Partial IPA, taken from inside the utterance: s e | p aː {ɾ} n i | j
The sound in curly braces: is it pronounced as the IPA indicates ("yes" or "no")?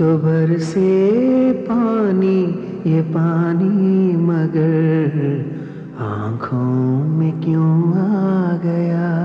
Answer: no